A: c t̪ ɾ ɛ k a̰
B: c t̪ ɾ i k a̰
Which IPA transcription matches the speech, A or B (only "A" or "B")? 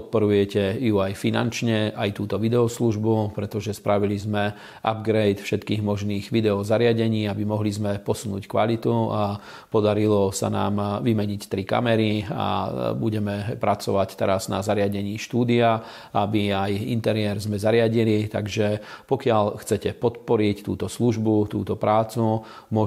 B